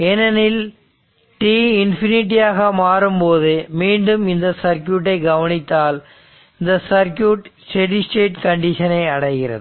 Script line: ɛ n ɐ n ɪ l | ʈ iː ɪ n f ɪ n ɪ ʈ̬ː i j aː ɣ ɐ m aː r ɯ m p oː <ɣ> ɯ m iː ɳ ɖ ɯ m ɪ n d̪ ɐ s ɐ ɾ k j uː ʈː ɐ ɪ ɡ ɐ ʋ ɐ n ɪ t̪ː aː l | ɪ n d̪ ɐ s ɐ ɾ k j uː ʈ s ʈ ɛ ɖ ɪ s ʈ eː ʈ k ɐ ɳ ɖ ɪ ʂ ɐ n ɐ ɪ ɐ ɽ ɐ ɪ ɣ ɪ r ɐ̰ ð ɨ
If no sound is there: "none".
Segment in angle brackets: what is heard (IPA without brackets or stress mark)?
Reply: ð